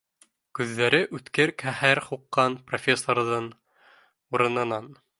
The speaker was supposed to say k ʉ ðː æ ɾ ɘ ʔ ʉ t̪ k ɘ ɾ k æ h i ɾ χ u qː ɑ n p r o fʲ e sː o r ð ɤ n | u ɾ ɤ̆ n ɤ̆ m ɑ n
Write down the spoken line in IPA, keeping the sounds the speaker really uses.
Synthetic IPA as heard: k ʉ ðː æ ɾ ɘ ʔ ʉ t̪ k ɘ ɾ k æ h æ ɾ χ u qː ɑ n p r o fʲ e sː o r ð ɤ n | u ɾ ɤ̆ n ɤ̆ n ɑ n